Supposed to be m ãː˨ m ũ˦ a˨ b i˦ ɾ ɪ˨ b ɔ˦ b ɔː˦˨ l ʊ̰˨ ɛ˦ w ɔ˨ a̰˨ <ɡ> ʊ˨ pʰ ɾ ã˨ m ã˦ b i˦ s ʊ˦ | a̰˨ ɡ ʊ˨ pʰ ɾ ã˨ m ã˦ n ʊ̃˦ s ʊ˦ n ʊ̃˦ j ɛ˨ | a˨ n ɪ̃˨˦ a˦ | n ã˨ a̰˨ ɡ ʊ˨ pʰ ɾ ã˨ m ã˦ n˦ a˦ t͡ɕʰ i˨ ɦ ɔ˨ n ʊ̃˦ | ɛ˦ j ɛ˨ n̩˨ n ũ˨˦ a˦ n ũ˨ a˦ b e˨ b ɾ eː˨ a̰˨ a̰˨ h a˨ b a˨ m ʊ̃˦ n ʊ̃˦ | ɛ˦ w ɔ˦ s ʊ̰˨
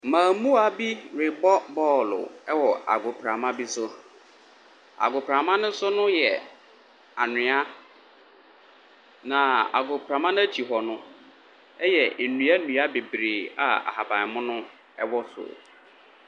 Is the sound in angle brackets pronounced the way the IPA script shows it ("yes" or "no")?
yes